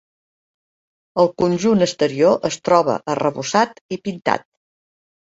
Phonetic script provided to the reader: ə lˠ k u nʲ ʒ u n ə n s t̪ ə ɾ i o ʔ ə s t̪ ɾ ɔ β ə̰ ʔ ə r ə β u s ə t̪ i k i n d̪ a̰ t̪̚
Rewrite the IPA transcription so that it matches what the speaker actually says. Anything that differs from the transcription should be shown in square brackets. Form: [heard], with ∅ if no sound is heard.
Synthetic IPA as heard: ə lˠ k u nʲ ʒ u n ə [∅] s t̪ ə ɾ i o ʔ ə s t̪ ɾ ɔ β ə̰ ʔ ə r ə β u s [a] t̪ i [p] i n [t̪] a̰ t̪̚